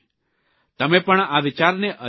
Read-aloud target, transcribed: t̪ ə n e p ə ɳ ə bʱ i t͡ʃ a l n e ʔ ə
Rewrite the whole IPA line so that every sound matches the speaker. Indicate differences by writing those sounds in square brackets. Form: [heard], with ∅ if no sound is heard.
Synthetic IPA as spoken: t̪ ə [m] e p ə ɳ [a] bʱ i t͡ʃ a [ɾ] n e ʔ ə